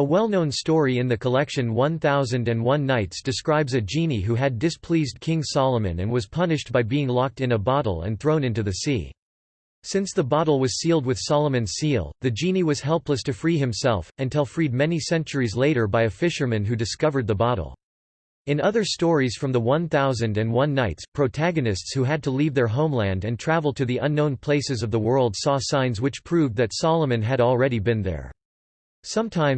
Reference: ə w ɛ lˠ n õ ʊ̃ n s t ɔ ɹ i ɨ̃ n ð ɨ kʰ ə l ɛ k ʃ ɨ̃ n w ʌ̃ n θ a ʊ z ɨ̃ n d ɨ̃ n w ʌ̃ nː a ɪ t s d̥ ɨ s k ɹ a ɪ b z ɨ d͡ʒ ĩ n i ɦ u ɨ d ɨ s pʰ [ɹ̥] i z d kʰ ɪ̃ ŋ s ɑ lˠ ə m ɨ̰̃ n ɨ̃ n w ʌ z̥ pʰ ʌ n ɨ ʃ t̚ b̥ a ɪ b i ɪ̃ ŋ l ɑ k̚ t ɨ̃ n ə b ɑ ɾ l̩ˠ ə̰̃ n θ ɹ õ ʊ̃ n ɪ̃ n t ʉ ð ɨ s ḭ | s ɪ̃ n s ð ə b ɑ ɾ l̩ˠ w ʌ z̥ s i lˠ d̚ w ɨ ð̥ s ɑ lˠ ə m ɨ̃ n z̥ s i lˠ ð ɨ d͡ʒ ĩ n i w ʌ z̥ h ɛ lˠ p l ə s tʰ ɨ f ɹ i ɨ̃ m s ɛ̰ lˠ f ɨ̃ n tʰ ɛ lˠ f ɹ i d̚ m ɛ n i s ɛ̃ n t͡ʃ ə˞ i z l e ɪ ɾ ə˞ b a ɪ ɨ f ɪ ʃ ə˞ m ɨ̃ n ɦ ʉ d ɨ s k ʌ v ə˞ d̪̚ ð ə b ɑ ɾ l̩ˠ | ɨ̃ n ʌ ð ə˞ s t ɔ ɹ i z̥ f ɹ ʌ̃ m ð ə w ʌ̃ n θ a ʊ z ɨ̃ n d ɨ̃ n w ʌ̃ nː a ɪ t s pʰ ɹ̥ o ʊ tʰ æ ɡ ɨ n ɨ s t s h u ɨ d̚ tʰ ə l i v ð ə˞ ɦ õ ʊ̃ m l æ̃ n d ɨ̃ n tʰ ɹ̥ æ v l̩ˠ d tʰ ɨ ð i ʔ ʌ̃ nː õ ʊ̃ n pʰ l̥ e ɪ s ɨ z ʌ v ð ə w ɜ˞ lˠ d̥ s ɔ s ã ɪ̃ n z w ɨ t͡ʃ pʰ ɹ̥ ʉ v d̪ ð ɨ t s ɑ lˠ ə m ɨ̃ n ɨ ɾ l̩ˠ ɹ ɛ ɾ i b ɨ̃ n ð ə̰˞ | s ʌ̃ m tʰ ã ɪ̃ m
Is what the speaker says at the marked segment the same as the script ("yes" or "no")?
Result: no